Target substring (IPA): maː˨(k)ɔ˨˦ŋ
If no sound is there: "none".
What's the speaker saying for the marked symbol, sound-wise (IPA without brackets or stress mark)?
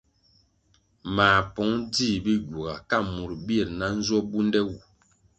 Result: p